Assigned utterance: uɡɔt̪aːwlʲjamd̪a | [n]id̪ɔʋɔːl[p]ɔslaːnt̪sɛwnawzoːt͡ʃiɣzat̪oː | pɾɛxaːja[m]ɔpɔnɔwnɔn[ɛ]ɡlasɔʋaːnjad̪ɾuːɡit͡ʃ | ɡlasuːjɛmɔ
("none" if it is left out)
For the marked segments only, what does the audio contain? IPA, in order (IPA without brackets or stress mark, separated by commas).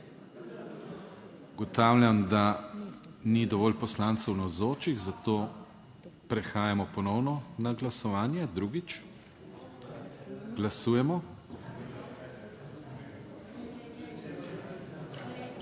n, p, m, a